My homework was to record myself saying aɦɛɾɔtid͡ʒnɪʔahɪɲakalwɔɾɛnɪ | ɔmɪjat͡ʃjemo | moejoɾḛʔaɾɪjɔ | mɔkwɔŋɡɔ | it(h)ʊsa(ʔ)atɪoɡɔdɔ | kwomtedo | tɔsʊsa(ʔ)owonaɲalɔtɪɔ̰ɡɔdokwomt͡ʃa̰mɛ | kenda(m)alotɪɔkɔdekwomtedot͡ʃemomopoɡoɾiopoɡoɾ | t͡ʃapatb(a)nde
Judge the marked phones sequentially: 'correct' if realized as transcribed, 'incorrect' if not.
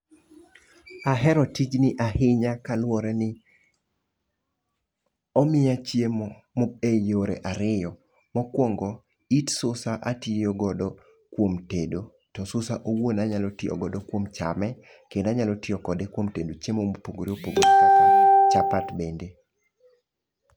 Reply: incorrect, correct, correct, incorrect, incorrect

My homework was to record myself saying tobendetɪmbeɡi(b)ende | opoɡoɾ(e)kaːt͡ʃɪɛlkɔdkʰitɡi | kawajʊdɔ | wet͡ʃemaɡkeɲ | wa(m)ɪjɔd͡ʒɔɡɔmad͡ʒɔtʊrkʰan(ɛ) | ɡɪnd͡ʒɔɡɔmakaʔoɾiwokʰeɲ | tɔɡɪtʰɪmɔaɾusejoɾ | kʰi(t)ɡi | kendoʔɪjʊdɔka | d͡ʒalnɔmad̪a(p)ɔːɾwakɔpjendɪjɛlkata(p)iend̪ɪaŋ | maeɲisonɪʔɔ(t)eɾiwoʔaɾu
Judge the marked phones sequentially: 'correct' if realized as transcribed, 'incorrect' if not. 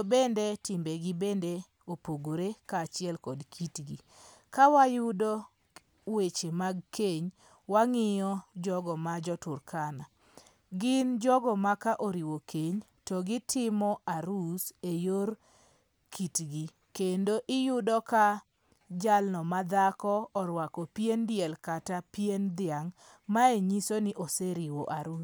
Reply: correct, correct, incorrect, incorrect, correct, incorrect, correct, incorrect

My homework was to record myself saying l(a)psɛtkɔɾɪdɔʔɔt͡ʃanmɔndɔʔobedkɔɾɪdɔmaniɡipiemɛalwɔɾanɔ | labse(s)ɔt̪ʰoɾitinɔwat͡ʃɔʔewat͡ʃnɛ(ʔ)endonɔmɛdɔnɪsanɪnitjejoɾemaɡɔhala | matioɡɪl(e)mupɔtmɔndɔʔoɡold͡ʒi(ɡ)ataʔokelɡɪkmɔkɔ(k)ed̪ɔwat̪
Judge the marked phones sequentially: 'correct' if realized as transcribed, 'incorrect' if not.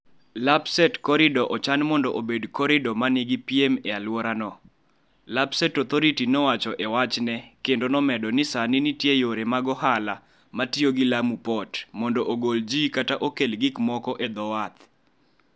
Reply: correct, incorrect, incorrect, incorrect, incorrect, incorrect

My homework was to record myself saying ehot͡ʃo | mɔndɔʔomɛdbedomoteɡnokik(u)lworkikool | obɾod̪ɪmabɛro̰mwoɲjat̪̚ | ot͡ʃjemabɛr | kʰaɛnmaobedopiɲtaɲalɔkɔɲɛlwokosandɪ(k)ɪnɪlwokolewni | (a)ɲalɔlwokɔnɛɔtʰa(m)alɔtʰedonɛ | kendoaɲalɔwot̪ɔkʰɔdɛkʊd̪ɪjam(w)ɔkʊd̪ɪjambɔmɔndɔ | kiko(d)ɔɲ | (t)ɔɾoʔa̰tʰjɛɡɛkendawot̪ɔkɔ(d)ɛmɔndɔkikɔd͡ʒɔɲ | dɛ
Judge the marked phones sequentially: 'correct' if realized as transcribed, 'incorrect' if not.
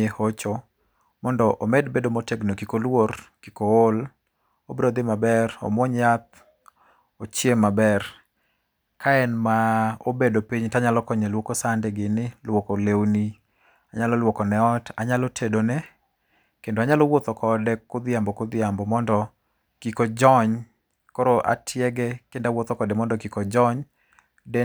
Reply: incorrect, incorrect, correct, incorrect, incorrect, incorrect, incorrect, correct

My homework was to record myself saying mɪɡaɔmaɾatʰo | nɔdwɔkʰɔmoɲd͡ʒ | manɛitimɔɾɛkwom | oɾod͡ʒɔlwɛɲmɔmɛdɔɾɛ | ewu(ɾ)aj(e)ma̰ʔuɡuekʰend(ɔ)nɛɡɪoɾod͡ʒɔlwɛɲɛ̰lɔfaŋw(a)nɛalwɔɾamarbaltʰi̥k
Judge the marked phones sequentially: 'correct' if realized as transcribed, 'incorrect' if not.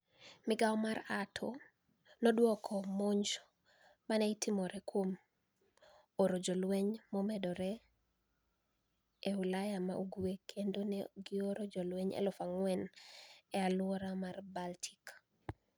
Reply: incorrect, incorrect, incorrect, incorrect

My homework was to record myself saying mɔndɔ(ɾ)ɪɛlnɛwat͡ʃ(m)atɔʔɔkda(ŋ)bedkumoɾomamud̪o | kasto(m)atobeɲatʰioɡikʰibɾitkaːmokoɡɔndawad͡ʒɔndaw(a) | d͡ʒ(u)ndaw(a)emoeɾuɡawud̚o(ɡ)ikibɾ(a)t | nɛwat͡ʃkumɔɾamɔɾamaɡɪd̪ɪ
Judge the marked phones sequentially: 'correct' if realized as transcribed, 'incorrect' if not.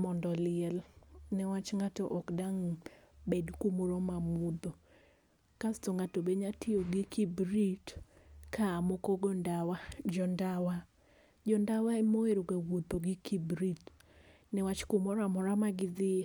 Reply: incorrect, incorrect, correct, incorrect, correct, incorrect, correct, correct, incorrect

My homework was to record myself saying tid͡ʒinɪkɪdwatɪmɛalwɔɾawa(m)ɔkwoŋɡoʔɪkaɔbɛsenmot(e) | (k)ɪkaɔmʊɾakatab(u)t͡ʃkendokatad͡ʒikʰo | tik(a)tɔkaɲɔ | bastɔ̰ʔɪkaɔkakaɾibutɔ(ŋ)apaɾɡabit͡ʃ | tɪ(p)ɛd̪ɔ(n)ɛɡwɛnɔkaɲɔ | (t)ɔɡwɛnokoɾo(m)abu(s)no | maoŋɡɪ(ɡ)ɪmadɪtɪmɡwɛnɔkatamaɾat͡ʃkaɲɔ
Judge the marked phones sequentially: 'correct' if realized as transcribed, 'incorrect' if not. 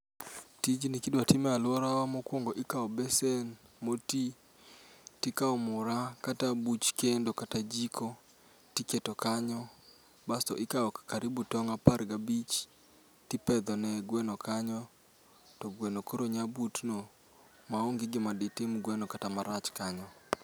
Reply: correct, incorrect, incorrect, correct, incorrect, correct, correct, correct, correct, incorrect, incorrect, correct

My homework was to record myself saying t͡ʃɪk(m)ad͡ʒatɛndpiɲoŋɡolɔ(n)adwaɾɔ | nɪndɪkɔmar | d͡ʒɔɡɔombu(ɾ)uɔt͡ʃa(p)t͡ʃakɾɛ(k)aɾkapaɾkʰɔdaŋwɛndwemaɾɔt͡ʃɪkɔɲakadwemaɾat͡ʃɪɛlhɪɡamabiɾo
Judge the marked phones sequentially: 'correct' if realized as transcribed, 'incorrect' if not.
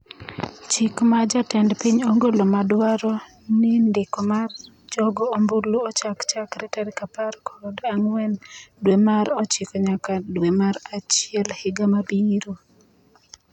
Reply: correct, incorrect, incorrect, incorrect, incorrect

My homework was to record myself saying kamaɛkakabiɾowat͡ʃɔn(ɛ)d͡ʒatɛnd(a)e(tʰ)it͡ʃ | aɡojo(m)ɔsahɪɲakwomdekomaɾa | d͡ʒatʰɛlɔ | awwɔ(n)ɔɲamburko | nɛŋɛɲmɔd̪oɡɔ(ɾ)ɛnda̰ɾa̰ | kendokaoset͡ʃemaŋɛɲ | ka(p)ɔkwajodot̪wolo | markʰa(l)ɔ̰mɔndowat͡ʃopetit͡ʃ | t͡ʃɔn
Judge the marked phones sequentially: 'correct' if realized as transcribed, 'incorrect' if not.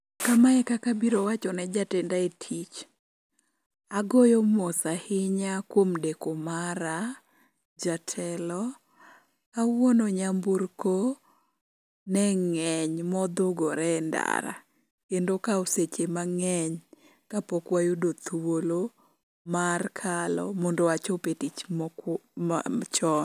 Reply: correct, correct, correct, correct, correct, correct, correct, correct

